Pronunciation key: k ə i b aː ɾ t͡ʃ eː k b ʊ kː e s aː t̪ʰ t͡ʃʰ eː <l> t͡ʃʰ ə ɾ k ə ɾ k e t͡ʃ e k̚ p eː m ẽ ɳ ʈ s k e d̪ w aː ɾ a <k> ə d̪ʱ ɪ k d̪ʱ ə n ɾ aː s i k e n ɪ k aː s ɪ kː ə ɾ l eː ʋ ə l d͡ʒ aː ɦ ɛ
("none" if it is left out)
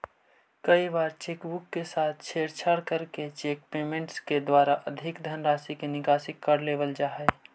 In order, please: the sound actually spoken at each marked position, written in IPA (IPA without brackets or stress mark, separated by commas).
ɾ, ʔ